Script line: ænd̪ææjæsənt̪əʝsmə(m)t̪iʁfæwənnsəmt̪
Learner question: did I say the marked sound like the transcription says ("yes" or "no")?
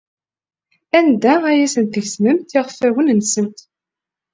yes